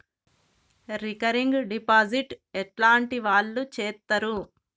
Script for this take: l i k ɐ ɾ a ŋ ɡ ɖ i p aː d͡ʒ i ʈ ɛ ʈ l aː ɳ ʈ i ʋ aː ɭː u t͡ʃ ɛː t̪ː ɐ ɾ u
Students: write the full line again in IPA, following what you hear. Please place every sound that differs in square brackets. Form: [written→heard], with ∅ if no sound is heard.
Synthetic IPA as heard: [l→ɾ] i k ɐ ɾ [a→i] ŋ ɡ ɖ i p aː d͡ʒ i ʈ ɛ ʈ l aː ɳ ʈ i ʋ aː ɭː u t͡ʃ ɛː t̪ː ɐ ɾ u

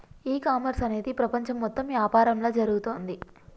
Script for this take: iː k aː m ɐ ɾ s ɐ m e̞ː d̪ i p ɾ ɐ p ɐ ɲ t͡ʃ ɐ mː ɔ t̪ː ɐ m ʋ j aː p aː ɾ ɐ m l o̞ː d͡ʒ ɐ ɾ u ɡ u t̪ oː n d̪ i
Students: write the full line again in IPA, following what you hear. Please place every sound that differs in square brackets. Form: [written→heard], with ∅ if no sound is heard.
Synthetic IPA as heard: iː k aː m ɐ ɾ s ɐ [m→n] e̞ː d̪ i p ɾ ɐ p ɐ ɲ t͡ʃ ɐ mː ɔ t̪ː ɐ m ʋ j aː p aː ɾ ɐ m l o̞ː d͡ʒ ɐ ɾ u ɡ u t̪ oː n d̪ i

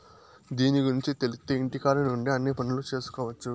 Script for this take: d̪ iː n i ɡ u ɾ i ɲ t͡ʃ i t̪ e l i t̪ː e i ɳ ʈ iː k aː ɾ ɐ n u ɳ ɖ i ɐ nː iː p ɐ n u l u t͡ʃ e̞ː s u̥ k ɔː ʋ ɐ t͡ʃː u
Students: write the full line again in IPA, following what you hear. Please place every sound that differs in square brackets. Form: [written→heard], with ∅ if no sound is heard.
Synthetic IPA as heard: d̪ iː n i ɡ u ɾ i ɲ t͡ʃ i t̪ e l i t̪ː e i ɳ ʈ [iː→i] k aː ɾ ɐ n u ɳ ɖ i ɐ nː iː p ɐ n u l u t͡ʃ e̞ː s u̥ k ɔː ʋ ɐ t͡ʃː u

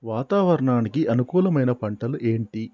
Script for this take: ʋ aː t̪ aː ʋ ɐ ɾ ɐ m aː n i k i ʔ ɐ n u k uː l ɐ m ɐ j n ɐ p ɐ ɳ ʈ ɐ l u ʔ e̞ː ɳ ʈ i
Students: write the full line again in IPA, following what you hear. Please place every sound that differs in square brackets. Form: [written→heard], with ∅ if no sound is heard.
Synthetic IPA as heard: ʋ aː t̪ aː ʋ ɐ ɾ ɐ [m→ɳ] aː n i k i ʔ ɐ n u k uː l ɐ m ɐ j n ɐ p ɐ ɳ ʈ ɐ l u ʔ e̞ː ɳ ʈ i

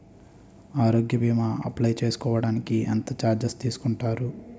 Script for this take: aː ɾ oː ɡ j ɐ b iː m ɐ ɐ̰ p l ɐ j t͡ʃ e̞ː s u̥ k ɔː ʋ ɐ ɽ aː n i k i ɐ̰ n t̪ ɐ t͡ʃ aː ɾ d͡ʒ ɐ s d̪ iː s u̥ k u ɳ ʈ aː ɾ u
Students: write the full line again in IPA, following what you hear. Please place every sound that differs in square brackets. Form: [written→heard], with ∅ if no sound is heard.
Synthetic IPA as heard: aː ɾ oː ɡ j ɐ b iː m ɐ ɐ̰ p l ɐ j t͡ʃ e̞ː s u̥ k ɔː ʋ ɐ ɽ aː n i k i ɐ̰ n t̪ ɐ t͡ʃ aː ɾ d͡ʒ ɐ s [d̪→t̪] iː s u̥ k u ɳ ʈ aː ɾ u

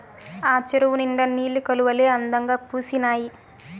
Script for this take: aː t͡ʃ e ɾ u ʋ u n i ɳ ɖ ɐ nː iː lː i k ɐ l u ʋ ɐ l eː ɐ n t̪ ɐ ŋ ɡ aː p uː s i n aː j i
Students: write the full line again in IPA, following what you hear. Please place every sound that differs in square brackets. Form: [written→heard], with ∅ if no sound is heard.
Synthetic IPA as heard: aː t͡ʃ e ɾ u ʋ u n i ɳ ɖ ɐ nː iː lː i k ɐ l u ʋ ɐ l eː ɐ n [t̪→d̪] ɐ ŋ ɡ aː p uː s i n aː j i

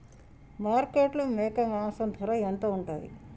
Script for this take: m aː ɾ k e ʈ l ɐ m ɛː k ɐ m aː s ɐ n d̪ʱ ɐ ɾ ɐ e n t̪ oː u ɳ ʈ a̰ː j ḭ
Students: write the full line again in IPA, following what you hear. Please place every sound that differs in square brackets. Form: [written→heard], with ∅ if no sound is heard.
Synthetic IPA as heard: m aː ɾ k e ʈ l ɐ m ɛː k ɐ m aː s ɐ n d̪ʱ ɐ ɾ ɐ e n t̪ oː u ɳ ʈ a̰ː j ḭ

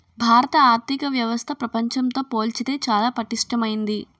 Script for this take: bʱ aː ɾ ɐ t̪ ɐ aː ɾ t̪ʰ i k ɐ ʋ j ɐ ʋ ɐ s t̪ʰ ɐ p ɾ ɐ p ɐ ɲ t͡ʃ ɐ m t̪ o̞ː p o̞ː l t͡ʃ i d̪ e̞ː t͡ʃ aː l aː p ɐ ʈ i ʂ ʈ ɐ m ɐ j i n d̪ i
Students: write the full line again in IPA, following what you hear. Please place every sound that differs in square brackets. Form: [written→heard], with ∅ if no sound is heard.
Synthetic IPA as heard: bʱ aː ɾ ɐ t̪ ɐ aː ɾ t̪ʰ i k ɐ ʋ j ɐ ʋ ɐ s t̪ʰ ɐ p ɾ ɐ p ɐ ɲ t͡ʃ ɐ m t̪ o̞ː p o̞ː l t͡ʃ i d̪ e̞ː t͡ʃ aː l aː p ɐ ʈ i ʂ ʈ ɐ m ɐ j i n d̪ i

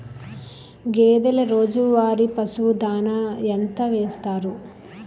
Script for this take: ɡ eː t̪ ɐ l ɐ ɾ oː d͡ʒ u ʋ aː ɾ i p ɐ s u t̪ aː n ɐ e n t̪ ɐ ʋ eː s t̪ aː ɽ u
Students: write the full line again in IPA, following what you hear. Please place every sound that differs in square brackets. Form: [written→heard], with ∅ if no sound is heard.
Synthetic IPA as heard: ɡ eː [t̪→d̪] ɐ l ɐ ɾ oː d͡ʒ u ʋ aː ɾ i p ɐ s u [t̪→d̪] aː n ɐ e n t̪ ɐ ʋ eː s t̪ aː [ɽ→ɾ] u

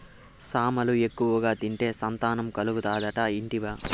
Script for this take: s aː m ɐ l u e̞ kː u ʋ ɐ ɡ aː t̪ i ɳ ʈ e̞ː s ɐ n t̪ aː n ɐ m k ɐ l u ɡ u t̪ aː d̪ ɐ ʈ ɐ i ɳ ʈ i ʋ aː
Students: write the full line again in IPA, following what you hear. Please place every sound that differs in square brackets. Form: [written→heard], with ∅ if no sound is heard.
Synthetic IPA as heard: s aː m ɐ l u e̞ kː u ʋ ɐ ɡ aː t̪ i ɳ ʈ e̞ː s ɐ n t̪ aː n ɐ m k ɐ l u ɡ u t̪ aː d̪ ɐ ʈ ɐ i ɳ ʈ i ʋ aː

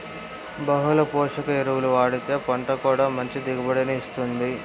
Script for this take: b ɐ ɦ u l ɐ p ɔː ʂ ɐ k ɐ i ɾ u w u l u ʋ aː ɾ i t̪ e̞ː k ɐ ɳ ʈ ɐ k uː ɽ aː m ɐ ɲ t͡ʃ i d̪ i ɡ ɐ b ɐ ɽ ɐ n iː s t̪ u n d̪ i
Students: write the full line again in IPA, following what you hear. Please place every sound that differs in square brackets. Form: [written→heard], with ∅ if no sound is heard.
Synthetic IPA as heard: b ɐ ɦ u l ɐ p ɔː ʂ ɐ k ɐ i ɾ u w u l u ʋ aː [ɾ→ɽ] i t̪ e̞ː [k→p] ɐ ɳ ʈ ɐ k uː ɽ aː m ɐ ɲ t͡ʃ i d̪ i ɡ ɐ b ɐ ɽ ɐ n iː s t̪ u n d̪ i

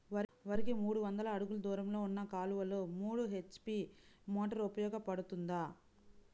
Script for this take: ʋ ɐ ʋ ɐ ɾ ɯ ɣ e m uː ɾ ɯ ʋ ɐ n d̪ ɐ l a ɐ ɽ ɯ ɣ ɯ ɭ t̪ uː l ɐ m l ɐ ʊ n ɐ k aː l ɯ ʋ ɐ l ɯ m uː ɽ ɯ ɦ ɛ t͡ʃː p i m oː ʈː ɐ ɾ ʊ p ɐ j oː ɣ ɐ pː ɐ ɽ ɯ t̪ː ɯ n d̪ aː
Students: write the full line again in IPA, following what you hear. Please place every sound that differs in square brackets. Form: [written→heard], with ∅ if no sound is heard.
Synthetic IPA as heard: ʋ ɐ ʋ ɐ ɾ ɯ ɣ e m uː [ɾ→ɽ] ɯ ʋ ɐ n d̪ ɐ l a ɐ ɽ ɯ ɣ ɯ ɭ [t̪→d̪] uː [l→ɾ] ɐ m l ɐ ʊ [n→nː] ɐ k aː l ɯ ʋ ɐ l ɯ m uː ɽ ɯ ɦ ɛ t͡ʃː p i m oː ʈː ɐ ɾ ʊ p ɐ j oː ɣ ɐ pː ɐ ɽ ɯ t̪ː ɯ n d̪ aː

